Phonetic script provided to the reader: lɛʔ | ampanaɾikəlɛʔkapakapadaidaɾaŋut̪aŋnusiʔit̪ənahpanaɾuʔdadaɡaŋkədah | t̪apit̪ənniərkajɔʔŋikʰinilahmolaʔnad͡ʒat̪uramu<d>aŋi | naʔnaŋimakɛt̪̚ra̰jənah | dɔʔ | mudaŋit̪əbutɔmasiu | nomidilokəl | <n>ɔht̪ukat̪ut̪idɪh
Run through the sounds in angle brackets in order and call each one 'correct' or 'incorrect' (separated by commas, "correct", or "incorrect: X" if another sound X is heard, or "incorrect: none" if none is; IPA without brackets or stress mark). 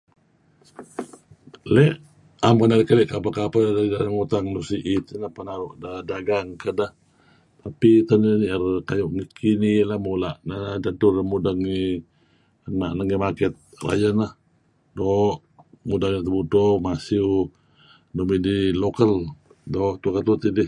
correct, incorrect: d